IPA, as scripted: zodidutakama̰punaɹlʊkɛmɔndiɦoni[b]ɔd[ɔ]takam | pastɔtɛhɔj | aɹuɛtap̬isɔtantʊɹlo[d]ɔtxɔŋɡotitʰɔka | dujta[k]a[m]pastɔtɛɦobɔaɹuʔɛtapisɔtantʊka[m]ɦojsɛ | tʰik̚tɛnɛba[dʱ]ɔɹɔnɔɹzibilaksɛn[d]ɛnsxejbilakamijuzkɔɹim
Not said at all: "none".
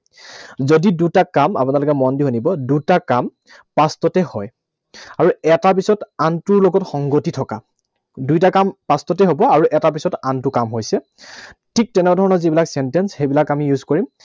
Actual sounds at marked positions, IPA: b, u, ɡ, k, m, m, dʱ, t

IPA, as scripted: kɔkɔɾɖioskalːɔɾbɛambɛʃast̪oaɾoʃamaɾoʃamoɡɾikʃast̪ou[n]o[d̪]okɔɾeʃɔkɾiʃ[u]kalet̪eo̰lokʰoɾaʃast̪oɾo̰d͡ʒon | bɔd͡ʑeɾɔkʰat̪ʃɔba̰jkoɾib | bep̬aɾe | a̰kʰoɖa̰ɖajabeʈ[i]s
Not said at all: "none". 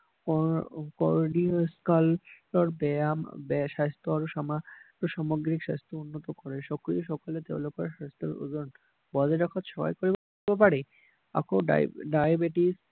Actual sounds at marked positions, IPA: nː, t̪, ɔ, i

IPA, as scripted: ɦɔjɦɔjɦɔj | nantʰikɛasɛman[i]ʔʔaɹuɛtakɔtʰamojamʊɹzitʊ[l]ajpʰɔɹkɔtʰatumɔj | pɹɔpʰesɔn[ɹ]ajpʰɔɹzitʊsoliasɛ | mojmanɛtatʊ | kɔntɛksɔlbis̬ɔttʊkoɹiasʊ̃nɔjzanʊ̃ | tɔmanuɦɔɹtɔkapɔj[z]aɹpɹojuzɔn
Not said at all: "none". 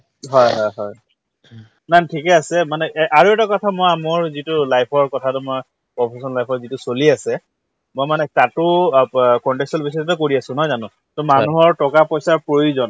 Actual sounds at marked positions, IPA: ɛ, l, l, s

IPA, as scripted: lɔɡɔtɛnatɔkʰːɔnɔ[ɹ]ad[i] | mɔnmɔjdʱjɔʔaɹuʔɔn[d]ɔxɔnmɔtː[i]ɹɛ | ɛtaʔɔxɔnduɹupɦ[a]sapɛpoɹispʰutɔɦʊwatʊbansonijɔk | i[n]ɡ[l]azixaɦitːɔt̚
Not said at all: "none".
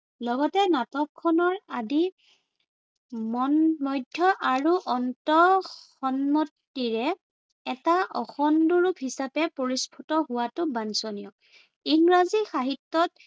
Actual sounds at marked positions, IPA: ɹ, i, t, i, i, ŋ, ɹ

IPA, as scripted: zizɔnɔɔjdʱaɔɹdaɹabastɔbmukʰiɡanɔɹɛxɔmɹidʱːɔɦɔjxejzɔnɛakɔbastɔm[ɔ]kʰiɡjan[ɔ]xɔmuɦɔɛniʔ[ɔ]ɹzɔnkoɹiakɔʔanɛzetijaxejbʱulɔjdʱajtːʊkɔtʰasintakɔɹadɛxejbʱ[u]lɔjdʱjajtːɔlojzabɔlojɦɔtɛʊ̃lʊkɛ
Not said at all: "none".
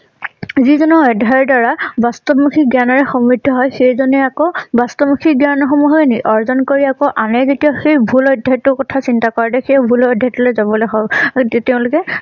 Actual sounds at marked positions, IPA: u, ɔ, ɔ, u

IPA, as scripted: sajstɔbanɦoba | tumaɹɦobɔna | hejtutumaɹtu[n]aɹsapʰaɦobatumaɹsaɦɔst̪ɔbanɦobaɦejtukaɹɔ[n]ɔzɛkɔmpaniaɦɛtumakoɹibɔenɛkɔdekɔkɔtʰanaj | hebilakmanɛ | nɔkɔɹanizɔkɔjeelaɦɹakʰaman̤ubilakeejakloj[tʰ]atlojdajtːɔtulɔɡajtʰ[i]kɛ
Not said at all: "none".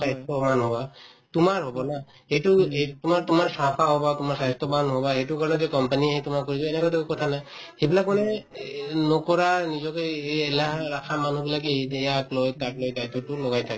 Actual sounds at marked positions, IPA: m, n, t, a

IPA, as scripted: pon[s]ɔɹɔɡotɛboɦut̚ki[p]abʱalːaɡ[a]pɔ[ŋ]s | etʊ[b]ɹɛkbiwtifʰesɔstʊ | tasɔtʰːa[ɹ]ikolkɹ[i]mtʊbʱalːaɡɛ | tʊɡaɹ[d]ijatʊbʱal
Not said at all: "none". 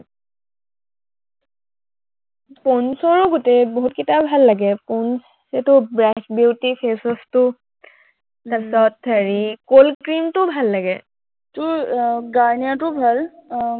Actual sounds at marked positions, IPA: s, t, ɛ, n, b, ɹ, i, n

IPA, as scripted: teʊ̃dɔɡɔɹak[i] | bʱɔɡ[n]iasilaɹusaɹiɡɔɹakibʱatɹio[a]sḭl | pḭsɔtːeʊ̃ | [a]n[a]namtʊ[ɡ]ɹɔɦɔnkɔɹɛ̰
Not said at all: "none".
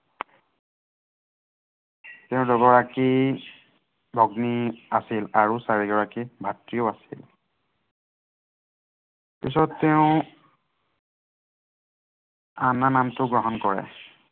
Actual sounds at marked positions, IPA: i, n, a, a, a, ɡ

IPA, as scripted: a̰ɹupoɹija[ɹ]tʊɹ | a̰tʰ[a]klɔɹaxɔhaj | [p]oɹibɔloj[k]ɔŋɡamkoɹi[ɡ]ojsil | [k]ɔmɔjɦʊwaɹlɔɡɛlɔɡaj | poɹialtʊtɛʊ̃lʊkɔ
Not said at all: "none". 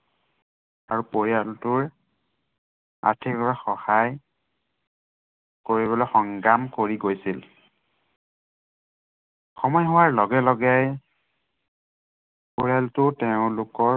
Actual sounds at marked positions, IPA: l, i, k, x, ɡ, x

